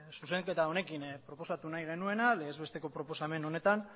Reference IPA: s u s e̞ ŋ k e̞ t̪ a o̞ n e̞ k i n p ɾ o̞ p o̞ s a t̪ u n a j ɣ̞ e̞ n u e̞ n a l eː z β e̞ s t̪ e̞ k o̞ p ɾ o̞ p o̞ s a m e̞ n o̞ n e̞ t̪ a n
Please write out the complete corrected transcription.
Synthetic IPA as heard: s u s e̞ ŋ k e̞ t̪ a o̞ n e̞ k i n p ɾ o̞ p o̞ s a t̪ u n a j ɣ̞ e̞ n u e̞ n a l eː z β e̞ s t̪ e̞ k o̞ p ɾ o̞ p o̞ s a m e̞ n o̞ n e̞ t̪ a n